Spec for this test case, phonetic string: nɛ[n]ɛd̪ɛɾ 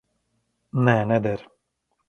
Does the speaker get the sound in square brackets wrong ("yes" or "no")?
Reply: no